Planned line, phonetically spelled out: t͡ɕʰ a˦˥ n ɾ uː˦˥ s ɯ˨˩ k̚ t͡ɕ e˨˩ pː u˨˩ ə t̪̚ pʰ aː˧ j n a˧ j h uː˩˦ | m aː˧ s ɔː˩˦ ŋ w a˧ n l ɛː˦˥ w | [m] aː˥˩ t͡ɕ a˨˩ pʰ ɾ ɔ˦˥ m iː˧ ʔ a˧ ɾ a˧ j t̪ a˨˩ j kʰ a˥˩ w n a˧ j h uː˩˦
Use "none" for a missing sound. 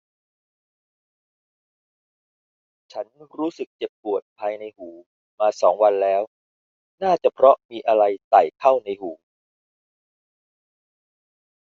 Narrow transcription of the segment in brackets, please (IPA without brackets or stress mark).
n